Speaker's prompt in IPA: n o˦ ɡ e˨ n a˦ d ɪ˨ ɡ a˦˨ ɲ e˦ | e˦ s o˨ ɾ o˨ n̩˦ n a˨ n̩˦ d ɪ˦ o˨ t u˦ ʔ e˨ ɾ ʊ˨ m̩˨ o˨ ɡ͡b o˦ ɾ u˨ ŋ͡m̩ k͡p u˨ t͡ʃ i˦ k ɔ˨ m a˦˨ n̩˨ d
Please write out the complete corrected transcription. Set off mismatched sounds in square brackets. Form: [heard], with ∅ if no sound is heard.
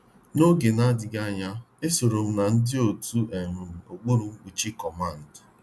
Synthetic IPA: n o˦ ɡ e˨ n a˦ d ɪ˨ ɡ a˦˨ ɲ [a˦] | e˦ s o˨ ɾ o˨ [m̩˦] n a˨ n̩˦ d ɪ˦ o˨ t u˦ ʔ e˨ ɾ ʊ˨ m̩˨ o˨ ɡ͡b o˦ ɾ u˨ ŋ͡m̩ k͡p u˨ t͡ʃ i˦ k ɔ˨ m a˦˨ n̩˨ d